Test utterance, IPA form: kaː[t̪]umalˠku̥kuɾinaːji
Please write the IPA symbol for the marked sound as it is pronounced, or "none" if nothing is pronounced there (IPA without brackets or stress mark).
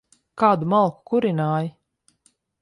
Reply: d̪